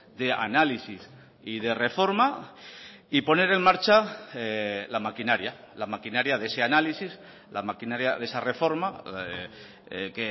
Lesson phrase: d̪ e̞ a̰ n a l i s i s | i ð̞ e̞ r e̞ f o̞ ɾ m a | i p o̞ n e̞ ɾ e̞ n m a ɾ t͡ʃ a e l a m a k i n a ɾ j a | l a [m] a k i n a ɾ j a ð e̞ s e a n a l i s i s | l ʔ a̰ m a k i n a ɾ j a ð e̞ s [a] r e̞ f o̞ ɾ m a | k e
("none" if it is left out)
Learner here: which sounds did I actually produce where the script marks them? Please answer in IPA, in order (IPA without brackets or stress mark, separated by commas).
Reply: m, a